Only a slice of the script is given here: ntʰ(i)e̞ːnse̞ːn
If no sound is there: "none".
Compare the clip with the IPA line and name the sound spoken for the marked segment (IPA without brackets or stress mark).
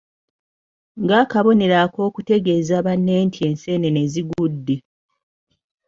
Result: i